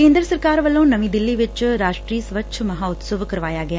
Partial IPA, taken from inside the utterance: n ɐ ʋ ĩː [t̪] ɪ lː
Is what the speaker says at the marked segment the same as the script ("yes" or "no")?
no